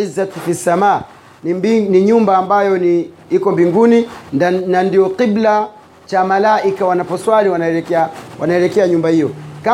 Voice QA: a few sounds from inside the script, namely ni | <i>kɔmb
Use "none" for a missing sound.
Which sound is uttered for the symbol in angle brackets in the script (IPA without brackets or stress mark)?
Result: i